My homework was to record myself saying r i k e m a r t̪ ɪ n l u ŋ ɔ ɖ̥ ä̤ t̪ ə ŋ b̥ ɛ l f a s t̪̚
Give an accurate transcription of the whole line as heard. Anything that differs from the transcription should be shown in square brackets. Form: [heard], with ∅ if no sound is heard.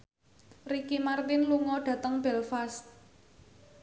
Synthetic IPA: r i k [i] m a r t̪ ɪ n l u ŋ ɔ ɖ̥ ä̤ t̪ ə ŋ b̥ ɛ l f a s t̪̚